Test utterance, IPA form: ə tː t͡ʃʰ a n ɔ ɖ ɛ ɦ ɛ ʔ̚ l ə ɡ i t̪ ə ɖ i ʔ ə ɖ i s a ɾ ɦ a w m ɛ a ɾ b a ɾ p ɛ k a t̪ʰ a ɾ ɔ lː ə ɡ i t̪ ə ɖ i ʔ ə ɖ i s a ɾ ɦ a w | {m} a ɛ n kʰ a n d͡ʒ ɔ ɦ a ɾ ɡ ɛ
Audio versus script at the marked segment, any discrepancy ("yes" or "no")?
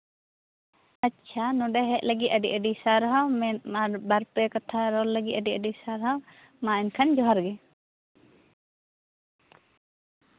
no